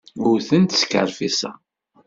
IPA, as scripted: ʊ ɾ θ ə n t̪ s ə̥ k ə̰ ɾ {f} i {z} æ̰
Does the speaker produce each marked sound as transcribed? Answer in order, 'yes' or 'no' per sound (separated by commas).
yes, no